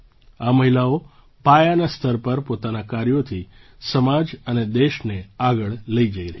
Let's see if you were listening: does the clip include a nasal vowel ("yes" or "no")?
no